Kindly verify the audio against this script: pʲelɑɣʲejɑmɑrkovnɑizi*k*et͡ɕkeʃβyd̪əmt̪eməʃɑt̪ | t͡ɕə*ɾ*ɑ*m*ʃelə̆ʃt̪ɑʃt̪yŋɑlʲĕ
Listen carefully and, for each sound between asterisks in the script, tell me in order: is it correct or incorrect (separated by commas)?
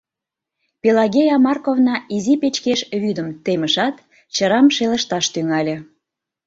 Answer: incorrect, correct, correct